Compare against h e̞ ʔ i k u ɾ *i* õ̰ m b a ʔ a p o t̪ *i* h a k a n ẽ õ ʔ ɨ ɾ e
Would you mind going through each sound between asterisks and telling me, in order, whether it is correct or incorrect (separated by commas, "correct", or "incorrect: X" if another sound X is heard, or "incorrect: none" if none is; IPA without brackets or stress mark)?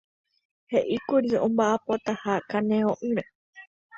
correct, incorrect: a